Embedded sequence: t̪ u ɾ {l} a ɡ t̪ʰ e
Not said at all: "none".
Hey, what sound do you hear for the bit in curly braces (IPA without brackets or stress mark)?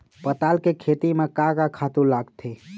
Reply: l